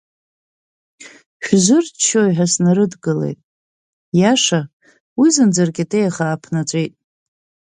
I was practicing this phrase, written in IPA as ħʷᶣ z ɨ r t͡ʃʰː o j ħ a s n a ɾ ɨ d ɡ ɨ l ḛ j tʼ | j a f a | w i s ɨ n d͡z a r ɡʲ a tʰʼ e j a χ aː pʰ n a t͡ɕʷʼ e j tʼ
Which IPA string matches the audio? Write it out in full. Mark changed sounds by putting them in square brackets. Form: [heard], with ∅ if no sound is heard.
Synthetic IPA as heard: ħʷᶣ z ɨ r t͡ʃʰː o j ħ a s n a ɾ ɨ d ɡ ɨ l ḛ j tʼ | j a [ʂ] a | w i [z] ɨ n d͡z a r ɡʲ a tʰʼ e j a χ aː pʰ n a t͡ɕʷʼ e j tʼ